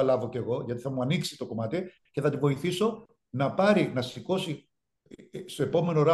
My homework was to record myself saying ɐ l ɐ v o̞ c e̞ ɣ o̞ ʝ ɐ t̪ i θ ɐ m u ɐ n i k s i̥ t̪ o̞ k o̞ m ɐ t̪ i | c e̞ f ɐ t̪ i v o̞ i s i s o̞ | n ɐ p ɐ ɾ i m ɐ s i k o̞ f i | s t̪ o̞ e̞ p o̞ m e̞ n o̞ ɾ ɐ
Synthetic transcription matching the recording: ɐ l ɐ v o̞ c e̞ ɣ o̞ ʝ ɐ t̪ i θ ɐ m u ɐ n i k s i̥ t̪ o̞ k o̞ m ɐ t̪ i | c e̞ θ ɐ t̪ i v o̞ i θ i s o̞ | n ɐ p ɐ ɾ i n ɐ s i k o̞ s i | s t̪ o̞ e̞ p o̞ m e̞ n o̞ ɾ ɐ